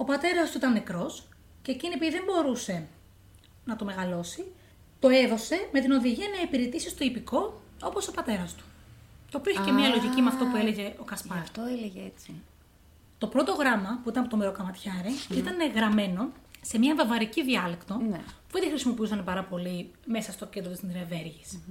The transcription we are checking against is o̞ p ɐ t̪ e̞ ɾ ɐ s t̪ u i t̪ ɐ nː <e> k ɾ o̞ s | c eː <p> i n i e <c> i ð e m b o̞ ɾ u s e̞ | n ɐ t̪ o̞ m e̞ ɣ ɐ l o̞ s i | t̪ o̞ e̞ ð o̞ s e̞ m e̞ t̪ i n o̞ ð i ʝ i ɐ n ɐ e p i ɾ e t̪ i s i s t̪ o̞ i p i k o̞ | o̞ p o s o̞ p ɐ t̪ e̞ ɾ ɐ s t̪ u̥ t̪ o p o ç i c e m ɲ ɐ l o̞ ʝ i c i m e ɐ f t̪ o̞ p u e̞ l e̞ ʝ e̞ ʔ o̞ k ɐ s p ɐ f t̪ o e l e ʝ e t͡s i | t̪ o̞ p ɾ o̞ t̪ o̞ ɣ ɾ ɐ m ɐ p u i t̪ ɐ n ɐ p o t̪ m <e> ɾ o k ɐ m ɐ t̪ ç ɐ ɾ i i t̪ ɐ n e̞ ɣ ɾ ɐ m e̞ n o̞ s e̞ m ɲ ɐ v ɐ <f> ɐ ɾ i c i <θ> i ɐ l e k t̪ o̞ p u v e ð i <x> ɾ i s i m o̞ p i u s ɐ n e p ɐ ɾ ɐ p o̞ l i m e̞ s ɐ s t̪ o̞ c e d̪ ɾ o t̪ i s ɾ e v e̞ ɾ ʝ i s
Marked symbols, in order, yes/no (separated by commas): yes, no, no, yes, no, no, yes